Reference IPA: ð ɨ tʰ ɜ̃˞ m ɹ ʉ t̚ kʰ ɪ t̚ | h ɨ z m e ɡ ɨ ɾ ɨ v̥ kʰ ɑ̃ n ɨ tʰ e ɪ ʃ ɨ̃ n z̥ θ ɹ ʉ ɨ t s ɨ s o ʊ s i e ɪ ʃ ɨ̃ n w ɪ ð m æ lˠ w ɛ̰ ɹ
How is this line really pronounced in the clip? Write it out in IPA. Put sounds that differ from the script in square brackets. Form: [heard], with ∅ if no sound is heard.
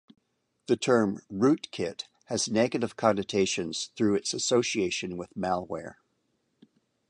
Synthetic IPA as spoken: ð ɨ tʰ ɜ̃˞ m ɹ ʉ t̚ kʰ ɪ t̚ | h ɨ z [n] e ɡ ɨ ɾ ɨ v̥ kʰ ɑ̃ n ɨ tʰ e ɪ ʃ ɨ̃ n z̥ θ ɹ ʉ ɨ t s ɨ s o ʊ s i e ɪ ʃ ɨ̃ n w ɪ ð m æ lˠ w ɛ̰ ɹ